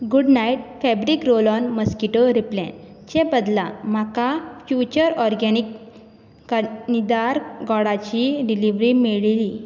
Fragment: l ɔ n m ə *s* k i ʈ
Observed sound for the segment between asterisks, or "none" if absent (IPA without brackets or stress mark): s